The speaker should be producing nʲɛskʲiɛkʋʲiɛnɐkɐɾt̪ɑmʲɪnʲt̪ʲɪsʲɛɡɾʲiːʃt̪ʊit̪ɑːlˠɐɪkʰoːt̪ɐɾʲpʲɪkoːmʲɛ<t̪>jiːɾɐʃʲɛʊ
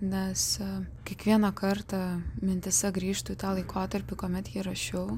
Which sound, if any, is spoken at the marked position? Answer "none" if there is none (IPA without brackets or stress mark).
t̪